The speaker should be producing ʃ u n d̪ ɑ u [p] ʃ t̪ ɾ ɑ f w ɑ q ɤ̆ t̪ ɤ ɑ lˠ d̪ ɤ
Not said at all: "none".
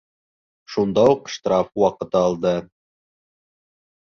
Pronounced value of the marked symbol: q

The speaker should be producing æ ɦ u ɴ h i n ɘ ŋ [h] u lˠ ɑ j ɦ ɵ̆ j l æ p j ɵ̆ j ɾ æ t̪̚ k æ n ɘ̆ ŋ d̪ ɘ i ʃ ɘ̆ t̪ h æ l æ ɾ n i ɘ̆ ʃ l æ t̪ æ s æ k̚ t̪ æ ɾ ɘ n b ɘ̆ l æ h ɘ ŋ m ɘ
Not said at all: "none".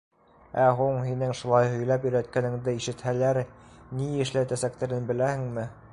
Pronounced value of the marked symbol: ʃ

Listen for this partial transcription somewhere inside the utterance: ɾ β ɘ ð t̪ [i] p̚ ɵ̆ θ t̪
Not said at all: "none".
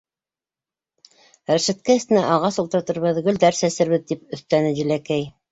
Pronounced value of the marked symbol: i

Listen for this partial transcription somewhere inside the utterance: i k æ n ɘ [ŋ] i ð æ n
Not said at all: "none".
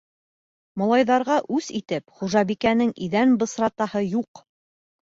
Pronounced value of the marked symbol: ŋ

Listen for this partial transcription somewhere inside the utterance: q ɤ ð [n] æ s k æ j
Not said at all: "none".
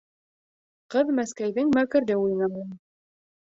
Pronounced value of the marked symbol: m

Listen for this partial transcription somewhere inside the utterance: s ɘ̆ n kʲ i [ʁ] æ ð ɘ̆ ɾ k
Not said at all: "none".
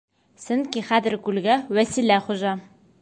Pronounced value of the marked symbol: χ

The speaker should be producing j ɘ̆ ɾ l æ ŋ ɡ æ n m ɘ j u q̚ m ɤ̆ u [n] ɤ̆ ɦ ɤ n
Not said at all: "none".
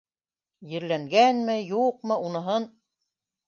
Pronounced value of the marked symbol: n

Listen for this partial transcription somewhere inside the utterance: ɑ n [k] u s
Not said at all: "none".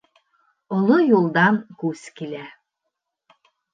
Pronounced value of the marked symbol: k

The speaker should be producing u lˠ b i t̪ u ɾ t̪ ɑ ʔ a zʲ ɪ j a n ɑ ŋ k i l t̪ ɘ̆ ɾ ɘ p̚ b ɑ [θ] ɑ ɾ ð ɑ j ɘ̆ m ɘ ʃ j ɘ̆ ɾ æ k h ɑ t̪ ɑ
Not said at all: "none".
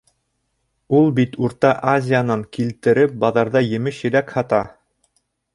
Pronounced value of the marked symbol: ð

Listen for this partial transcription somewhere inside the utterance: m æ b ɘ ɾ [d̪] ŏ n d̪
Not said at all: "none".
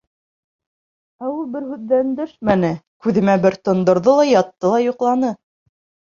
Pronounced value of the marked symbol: t̪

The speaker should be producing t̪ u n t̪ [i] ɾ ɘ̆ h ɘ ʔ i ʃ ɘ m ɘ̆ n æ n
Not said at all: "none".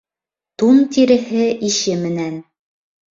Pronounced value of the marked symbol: i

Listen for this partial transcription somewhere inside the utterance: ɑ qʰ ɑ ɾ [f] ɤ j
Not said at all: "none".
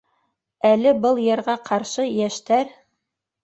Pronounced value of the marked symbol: ʃ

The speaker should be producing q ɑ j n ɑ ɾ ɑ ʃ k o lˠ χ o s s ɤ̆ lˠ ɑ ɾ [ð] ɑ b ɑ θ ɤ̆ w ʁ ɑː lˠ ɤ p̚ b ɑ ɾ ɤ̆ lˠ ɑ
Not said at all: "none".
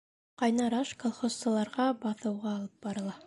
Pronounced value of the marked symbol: ʁ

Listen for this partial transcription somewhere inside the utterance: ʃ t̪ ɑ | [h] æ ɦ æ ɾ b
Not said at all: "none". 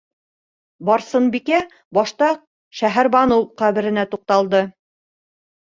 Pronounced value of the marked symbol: ʃ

